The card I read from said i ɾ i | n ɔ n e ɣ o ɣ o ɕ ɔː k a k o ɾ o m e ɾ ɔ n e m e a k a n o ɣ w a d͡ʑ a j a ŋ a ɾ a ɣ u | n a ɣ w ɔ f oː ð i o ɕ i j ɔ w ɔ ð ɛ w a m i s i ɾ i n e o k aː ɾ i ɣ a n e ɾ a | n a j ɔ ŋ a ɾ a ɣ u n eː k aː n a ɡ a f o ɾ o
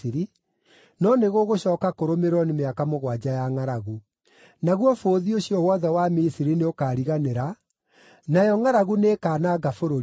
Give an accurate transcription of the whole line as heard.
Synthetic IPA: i ɾ i | n ɔ n e ɣ o ɣ o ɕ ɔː k a k o ɾ o m e ɾ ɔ n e m e a k a m o ɣ w a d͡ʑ a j a ŋ a ɾ a ɣ u | n a ɣ w ɔ f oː ð i o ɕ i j ɔ w ɔ ð ɛ w a m i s i ɾ i n e o k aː ɾ i ɣ a n e ɾ a | n a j ɔ ŋ a ɾ a ɣ u n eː k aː n a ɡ a f o ɾ o